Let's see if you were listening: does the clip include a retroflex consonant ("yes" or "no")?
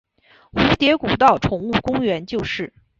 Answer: yes